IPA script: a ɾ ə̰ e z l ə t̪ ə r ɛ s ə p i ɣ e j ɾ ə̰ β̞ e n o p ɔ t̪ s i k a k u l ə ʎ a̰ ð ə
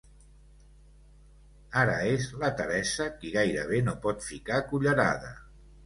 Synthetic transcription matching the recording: a ɾ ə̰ e z l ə t̪ ə ɾ ɛ s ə k i ɣ a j ɾ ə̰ β̞ e n o p ɔ t̪ f i k a k u ʎ ə ɾ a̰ ð ə